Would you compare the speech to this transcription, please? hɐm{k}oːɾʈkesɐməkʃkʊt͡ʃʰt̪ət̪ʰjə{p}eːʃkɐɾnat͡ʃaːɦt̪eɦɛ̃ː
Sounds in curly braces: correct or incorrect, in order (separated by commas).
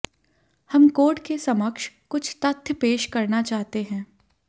correct, correct